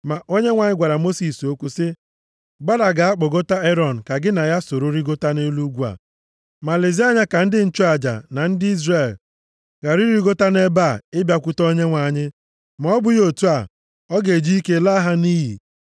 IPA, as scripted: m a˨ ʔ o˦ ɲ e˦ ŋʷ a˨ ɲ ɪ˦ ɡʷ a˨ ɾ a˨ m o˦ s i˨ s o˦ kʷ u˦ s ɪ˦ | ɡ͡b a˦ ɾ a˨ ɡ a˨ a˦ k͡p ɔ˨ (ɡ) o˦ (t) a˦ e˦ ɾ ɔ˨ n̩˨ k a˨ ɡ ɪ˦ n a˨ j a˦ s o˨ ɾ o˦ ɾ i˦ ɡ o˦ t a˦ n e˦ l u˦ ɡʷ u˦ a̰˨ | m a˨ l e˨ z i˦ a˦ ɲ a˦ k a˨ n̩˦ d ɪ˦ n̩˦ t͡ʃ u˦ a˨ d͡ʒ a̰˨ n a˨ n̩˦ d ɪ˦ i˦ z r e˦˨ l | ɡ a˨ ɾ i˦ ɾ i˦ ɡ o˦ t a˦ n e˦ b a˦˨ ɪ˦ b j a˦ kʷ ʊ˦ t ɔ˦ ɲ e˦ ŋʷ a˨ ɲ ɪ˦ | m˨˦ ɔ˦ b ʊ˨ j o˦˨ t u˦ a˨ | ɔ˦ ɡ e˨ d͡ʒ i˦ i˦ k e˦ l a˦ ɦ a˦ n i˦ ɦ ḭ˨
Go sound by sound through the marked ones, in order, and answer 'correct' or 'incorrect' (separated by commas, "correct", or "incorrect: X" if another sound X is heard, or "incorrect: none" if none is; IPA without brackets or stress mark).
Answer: correct, correct